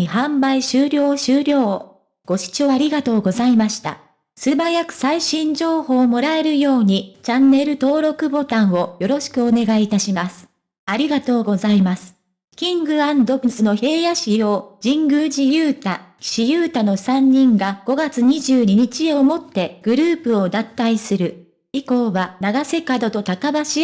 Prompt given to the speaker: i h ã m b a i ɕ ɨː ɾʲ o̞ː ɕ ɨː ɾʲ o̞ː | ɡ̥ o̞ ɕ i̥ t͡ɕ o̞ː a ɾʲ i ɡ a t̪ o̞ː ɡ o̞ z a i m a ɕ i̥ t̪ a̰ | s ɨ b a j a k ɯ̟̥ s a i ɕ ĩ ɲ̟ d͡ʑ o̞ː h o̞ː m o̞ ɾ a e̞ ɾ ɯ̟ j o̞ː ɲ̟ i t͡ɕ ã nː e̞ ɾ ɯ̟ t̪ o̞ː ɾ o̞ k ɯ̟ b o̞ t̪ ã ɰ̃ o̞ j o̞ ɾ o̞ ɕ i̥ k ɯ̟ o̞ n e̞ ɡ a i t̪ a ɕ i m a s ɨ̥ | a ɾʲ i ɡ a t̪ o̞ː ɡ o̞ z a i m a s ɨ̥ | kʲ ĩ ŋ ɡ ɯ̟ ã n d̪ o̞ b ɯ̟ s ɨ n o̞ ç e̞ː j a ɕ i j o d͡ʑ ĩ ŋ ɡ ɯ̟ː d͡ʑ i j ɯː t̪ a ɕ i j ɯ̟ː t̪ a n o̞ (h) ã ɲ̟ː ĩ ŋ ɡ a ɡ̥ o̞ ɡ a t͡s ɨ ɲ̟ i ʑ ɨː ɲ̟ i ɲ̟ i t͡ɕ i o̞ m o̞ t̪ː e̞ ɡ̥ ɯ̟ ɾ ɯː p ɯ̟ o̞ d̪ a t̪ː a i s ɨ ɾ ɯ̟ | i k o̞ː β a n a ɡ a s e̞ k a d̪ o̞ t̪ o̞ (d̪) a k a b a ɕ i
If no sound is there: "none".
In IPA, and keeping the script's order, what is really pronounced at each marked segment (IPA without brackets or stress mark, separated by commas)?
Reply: s, t̪